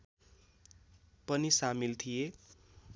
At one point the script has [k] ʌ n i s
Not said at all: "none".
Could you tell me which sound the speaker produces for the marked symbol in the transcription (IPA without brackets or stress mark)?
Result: p